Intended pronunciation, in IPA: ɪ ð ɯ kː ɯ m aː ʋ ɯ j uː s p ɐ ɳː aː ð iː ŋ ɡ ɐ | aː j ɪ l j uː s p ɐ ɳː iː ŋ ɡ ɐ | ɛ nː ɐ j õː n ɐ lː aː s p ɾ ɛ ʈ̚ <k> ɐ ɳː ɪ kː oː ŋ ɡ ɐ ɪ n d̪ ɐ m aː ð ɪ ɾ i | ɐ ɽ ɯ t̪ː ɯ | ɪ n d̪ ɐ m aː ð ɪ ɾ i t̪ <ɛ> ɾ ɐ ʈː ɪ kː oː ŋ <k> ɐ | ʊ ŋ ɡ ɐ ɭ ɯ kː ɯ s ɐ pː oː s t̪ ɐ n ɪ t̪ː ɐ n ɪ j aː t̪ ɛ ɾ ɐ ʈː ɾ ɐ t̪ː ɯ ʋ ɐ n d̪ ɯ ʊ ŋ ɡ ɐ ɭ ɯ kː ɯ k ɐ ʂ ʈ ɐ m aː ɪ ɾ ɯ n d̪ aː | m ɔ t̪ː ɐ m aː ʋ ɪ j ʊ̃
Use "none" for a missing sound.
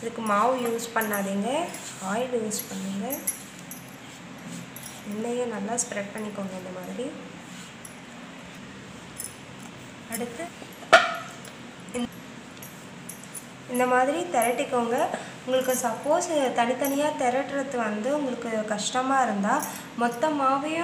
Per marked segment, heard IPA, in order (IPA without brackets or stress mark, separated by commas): p, ɛ, ɡ